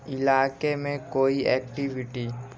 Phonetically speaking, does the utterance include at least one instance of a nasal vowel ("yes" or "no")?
yes